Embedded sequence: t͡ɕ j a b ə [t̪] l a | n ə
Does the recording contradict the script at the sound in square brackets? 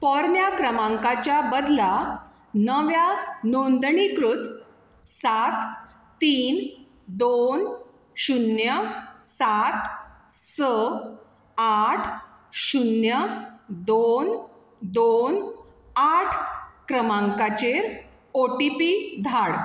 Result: yes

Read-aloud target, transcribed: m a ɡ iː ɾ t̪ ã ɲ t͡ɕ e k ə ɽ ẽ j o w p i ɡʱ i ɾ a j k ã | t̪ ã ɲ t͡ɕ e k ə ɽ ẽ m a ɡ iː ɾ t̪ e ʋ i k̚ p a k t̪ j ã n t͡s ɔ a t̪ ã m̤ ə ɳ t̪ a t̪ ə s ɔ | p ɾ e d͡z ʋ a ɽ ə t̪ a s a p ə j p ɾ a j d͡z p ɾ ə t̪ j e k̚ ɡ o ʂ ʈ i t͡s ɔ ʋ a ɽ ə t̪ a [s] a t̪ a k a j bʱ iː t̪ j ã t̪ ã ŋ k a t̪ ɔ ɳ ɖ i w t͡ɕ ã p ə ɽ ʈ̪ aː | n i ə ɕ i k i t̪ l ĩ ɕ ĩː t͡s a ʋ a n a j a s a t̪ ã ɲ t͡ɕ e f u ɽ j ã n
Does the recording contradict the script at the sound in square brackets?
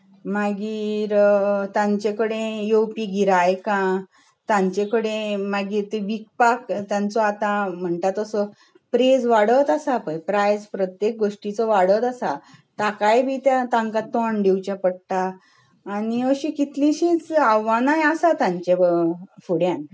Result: no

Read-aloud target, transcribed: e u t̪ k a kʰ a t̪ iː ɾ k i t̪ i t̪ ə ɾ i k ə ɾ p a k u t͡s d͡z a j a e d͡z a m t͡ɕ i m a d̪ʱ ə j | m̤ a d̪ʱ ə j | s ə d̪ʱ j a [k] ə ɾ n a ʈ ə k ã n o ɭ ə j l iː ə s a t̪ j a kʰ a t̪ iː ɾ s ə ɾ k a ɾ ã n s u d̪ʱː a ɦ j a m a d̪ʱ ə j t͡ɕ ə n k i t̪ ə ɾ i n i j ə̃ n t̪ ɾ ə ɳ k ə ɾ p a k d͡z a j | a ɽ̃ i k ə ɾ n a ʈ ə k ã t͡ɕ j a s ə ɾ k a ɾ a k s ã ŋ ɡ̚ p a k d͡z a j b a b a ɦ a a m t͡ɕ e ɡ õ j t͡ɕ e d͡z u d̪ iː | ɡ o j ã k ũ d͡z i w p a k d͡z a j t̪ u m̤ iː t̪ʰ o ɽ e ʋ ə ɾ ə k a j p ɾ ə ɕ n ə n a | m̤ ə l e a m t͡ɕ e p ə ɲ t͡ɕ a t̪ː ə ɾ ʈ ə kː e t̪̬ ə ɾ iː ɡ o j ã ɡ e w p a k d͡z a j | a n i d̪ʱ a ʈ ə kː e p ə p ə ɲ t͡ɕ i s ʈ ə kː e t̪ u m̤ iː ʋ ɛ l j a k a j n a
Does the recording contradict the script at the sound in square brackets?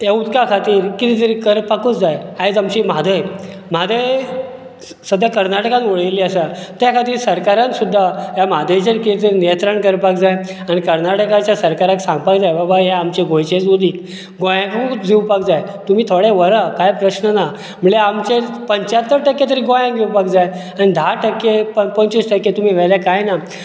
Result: no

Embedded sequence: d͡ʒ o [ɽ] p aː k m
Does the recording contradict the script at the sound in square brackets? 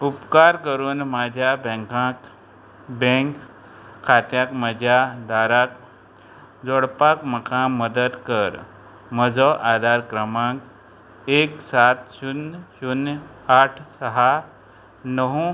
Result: no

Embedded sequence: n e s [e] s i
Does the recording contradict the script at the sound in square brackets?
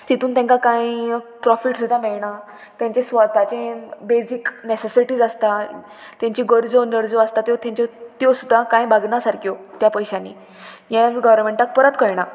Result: no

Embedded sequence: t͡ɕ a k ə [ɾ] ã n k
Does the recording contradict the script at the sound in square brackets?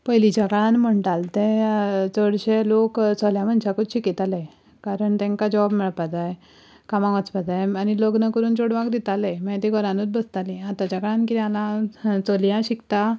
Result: yes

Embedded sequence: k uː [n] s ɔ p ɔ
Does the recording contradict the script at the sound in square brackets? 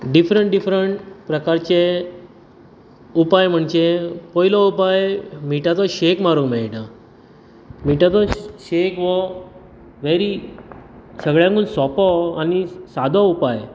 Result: no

